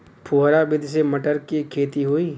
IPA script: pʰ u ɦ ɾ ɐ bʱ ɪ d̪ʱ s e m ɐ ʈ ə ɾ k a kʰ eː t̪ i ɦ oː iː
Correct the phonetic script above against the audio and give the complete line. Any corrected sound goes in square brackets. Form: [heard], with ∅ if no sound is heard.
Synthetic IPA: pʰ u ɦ ɾ [a] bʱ ɪ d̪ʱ s e m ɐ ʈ ə ɾ k [i] kʰ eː t̪ i ɦ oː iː